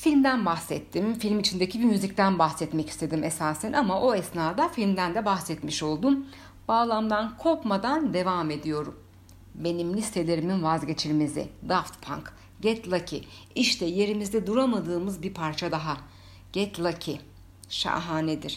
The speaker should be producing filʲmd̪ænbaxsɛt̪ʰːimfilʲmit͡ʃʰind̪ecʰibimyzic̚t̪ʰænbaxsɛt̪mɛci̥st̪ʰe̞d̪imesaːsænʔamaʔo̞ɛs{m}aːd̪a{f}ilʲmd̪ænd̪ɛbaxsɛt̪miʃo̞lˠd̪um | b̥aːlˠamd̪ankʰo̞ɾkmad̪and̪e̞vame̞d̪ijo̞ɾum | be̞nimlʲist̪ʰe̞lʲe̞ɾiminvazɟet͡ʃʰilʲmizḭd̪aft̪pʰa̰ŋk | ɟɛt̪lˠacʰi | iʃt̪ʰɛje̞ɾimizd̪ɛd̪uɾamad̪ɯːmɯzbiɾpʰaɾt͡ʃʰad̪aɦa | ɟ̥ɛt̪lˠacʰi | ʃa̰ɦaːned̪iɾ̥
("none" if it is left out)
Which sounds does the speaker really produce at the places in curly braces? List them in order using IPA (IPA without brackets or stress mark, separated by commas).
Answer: n, f